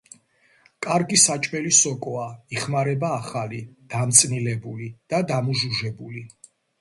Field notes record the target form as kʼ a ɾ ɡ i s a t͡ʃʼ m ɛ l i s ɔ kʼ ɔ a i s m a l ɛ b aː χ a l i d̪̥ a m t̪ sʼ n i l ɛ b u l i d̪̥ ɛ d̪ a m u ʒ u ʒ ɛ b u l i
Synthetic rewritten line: kʼ a ɾ ɡ i s a t͡ʃʼ m ɛ l i s ɔ kʼ ɔ a i χ m a ɾ ɛ b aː χ a l i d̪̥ a m t̪ sʼ n i l ɛ b u l i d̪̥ a d̪ a m u ʒ u ʒ ɛ b u l i